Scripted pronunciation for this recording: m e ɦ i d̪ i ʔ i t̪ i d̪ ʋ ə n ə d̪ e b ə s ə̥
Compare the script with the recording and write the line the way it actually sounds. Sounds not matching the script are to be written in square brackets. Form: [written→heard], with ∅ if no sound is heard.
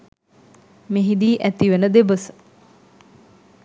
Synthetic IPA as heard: m e ɦ i d̪ [i→iː] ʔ [i→æ] t̪ i [d̪→∅] ʋ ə n ə d̪ e b ə s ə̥